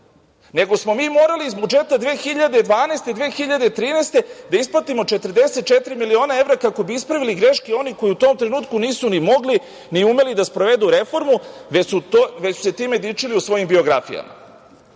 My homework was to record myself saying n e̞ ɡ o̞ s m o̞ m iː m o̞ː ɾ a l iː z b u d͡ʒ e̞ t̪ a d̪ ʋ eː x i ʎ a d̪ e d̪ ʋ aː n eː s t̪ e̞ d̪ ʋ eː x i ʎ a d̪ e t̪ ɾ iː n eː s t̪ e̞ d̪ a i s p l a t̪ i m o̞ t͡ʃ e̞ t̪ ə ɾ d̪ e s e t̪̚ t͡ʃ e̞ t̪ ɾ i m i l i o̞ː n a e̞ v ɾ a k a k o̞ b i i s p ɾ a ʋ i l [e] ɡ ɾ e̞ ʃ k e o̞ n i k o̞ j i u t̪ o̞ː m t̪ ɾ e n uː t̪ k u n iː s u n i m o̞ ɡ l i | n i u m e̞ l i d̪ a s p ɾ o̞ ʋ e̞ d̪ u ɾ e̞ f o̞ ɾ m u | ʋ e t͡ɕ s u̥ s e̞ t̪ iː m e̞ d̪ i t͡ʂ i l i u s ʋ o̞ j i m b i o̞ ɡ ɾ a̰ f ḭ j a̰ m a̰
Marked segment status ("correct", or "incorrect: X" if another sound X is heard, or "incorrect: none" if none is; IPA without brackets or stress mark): incorrect: i